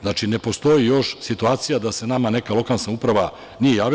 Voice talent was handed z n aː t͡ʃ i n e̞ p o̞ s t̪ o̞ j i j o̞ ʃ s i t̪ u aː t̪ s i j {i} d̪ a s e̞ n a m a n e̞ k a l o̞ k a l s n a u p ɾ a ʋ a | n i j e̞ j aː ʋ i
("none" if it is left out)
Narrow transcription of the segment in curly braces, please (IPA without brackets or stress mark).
a